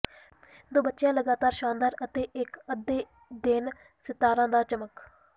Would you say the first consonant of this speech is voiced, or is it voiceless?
voiced